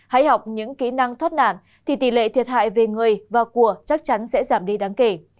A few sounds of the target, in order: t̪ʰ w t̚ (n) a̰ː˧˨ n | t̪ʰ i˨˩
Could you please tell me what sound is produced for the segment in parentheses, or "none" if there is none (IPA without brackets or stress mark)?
n